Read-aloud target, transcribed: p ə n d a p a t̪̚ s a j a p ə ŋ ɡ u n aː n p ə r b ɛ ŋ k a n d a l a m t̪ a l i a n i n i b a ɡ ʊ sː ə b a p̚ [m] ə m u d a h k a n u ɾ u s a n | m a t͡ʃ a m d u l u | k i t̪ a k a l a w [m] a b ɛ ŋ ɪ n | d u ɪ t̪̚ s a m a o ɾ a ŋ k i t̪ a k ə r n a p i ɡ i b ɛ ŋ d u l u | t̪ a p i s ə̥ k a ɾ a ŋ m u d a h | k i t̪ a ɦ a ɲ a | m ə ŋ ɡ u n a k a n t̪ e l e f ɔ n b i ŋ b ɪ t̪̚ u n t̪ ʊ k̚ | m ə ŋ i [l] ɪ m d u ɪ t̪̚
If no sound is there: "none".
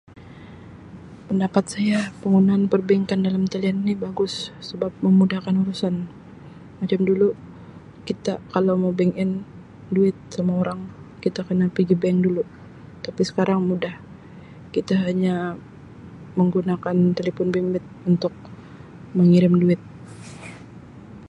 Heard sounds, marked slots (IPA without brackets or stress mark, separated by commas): m, m, ɾ